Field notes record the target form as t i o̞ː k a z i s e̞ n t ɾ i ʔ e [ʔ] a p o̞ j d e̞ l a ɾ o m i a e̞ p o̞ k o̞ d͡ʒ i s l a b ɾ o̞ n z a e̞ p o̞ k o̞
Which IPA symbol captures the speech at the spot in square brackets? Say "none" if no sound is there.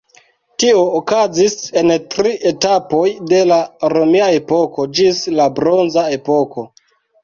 t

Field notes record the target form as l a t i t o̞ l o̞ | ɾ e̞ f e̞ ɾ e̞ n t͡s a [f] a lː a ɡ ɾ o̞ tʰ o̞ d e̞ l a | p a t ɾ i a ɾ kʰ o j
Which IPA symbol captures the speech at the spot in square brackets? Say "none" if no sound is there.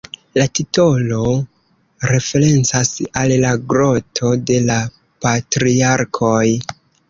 s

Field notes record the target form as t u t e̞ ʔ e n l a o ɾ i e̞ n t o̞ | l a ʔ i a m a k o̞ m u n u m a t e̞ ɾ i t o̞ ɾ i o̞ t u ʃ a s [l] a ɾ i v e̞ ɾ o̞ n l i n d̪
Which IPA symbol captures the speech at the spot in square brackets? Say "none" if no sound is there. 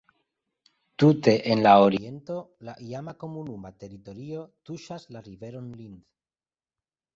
l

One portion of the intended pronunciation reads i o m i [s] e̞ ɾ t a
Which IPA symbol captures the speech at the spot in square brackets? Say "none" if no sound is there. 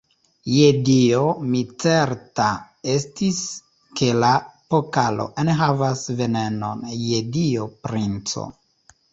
t͡s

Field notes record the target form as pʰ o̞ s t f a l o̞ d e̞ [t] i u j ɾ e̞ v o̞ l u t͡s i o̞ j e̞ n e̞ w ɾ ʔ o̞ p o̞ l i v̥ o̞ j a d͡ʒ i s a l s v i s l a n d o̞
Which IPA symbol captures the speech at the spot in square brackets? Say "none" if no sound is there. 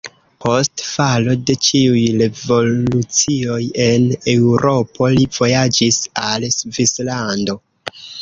t͡ʃ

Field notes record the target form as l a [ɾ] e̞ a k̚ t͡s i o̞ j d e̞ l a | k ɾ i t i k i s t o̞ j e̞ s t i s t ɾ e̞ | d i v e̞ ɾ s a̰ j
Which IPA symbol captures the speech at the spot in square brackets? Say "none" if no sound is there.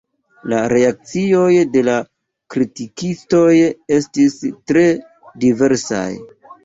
ɾ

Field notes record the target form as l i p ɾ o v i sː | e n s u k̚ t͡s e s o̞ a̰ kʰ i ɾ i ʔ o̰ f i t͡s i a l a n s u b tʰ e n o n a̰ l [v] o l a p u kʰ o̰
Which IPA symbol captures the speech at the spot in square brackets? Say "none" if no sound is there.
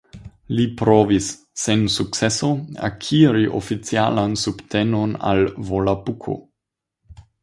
v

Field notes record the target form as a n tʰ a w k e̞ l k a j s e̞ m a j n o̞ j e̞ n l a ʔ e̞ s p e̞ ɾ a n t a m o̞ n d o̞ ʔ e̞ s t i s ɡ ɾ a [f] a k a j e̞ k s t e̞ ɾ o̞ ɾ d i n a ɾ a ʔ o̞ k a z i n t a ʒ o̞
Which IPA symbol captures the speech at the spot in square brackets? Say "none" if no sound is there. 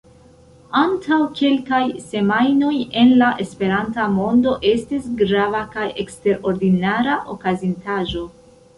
v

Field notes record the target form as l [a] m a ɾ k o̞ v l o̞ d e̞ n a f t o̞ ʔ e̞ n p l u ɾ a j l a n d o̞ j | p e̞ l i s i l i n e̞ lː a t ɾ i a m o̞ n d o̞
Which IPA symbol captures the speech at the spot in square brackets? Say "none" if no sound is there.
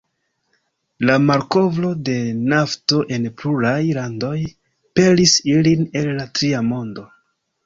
a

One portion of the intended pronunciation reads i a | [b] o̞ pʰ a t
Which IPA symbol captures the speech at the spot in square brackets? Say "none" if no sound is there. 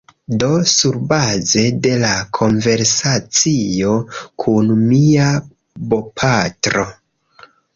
b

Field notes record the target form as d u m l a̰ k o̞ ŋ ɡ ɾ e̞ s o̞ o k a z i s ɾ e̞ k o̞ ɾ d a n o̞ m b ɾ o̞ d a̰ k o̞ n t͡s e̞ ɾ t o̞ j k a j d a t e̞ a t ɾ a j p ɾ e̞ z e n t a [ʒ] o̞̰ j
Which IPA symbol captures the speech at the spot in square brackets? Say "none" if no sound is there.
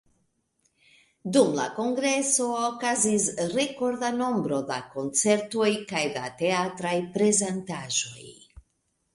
ʒ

